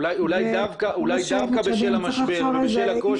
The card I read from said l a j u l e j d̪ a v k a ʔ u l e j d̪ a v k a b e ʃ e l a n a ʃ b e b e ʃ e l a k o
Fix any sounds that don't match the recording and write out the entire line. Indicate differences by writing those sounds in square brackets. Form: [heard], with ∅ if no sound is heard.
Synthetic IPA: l a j u l [a] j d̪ a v k a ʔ u l [a] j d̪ a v k a b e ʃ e l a [m] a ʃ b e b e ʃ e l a k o